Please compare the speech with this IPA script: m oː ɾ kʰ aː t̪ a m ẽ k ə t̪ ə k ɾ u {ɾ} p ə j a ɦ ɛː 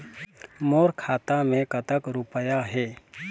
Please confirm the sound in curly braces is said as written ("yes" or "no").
no